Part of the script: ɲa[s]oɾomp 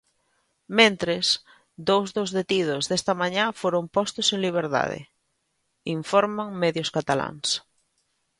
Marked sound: incorrect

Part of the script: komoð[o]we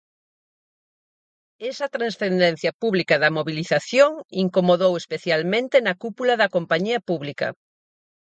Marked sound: correct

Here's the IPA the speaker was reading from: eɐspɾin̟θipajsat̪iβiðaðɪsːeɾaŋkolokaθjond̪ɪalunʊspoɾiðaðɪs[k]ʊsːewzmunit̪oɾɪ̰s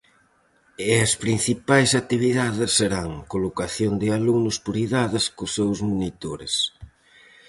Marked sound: correct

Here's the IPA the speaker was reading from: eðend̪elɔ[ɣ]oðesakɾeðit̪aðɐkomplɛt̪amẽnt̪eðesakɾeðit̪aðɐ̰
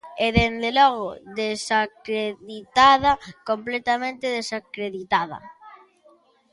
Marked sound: correct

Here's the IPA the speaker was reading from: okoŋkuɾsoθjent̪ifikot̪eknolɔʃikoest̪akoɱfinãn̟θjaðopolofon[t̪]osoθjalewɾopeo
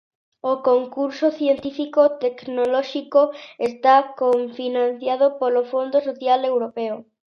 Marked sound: incorrect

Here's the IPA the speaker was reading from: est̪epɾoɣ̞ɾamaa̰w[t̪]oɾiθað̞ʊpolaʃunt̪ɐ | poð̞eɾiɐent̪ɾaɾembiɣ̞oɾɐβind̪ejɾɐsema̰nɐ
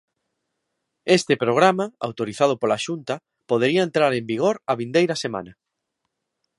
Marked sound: correct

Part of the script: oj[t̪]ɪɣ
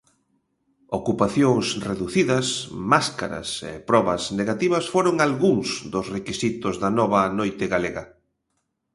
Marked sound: correct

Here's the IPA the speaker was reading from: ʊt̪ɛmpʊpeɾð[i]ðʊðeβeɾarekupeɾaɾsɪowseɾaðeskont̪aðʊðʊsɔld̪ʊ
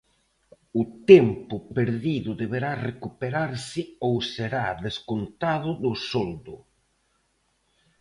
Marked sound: correct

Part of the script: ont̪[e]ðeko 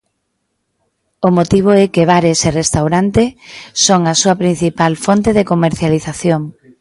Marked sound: correct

